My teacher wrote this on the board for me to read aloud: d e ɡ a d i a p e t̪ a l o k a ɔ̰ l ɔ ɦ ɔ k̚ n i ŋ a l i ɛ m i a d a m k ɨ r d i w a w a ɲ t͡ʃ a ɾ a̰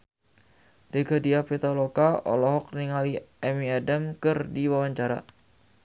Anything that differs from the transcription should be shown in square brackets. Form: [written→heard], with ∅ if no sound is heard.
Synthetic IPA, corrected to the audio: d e ɡ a d i a p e t̪ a l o k a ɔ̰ l ɔ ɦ ɔ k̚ n i ŋ a l i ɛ m i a d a m k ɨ r d i w a w a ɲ t͡ʃ a ɾ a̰